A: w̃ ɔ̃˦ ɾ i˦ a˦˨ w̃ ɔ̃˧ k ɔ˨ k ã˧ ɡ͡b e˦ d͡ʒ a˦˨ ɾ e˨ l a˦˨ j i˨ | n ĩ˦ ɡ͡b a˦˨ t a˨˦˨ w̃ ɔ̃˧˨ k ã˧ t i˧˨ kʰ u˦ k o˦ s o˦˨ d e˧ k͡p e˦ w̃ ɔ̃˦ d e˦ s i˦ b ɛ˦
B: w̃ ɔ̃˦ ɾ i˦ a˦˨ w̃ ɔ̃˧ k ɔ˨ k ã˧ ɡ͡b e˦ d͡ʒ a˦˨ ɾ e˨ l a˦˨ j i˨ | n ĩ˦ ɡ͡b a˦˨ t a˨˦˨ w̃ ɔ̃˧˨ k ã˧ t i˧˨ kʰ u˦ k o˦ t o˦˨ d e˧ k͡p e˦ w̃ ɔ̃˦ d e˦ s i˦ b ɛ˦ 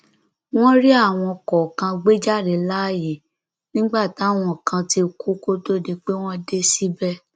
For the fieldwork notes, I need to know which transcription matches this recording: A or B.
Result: B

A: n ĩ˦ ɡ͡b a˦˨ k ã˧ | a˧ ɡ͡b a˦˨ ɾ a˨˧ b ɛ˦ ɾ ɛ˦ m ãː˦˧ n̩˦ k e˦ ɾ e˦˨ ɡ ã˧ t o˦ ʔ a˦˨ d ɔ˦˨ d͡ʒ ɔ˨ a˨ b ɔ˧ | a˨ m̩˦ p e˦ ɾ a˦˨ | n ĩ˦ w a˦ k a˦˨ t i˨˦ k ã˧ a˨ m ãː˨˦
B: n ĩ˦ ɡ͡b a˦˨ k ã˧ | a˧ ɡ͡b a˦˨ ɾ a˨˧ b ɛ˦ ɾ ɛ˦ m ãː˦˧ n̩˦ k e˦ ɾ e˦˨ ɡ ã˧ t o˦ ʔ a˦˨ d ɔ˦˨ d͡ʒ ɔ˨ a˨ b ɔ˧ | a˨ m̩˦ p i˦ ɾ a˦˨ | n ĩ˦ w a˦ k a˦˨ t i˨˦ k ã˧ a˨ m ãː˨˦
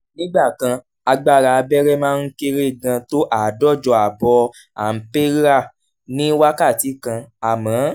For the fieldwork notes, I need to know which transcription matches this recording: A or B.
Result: A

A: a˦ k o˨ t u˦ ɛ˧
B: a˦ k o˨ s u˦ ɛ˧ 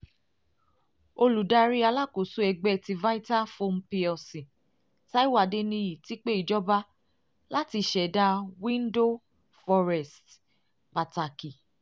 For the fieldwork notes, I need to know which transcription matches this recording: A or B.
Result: B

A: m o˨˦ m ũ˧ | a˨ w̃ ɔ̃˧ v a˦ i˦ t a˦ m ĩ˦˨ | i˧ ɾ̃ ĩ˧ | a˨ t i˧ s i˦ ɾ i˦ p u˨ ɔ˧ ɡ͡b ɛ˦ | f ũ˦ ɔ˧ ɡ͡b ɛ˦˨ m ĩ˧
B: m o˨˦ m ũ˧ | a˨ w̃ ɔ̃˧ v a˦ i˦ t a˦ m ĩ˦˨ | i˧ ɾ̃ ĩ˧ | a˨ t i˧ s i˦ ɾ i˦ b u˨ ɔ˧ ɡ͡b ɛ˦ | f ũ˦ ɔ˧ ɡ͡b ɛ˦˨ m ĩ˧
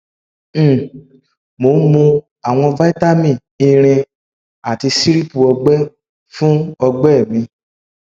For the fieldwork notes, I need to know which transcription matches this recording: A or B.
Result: A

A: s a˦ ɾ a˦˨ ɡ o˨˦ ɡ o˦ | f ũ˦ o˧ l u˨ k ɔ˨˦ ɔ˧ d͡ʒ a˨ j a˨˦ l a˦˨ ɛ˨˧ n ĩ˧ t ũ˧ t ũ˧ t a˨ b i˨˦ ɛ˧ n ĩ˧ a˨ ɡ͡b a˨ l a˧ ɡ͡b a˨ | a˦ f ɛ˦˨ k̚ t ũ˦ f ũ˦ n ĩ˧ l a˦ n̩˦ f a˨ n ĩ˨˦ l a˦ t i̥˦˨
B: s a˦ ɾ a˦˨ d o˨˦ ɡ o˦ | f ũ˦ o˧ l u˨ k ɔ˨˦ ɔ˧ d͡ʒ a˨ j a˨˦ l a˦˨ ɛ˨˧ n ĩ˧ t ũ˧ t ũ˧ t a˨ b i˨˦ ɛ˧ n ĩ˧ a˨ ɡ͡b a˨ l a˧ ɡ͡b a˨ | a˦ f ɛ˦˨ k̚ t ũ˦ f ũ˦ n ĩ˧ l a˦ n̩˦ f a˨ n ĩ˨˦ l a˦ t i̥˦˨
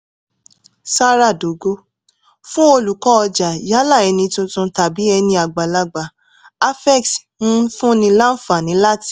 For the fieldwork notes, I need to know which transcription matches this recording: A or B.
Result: B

